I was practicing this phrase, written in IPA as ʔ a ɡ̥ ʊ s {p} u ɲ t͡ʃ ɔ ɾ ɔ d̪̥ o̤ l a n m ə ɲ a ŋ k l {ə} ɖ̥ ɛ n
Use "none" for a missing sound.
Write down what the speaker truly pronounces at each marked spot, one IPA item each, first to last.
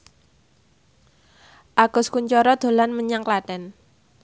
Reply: k, a

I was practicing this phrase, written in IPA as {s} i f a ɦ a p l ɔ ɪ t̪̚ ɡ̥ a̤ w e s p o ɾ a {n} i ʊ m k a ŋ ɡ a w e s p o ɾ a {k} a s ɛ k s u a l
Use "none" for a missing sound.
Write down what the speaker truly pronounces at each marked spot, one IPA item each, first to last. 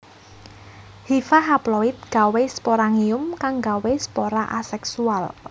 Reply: h, ŋ, ʔ

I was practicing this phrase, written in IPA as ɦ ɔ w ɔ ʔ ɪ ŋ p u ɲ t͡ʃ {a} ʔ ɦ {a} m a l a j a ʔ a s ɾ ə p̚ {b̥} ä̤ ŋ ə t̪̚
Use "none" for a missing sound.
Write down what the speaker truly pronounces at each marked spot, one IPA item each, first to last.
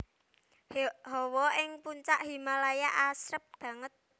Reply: a, i, b̥

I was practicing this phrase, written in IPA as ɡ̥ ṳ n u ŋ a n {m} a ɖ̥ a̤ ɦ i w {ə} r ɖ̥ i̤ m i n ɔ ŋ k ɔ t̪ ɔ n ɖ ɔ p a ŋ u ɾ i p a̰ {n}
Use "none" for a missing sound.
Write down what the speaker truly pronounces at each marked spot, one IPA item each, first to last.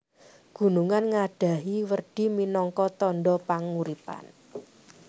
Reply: ŋ, ə, n

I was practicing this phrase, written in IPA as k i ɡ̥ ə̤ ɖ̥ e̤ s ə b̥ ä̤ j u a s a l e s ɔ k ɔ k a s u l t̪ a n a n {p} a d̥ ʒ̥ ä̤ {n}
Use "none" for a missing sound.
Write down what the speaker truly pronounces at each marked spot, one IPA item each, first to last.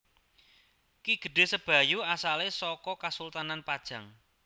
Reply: p, ŋ

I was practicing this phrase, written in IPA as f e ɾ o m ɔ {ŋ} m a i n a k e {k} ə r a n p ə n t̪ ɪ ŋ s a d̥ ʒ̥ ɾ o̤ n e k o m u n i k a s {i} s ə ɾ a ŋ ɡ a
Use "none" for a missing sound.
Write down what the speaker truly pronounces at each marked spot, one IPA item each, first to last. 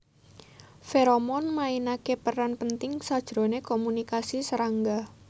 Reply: n, p, i

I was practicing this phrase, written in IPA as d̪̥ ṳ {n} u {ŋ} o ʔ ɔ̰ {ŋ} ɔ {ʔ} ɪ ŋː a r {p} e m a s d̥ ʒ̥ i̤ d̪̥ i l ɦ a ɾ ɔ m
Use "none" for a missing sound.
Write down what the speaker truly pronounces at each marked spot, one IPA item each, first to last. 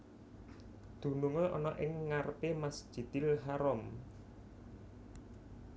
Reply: n, ŋ, n, ʔ, p

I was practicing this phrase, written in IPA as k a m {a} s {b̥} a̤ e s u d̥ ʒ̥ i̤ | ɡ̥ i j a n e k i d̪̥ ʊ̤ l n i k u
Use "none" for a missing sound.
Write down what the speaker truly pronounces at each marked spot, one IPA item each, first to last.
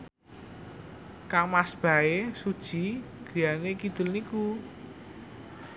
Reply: a, b̥

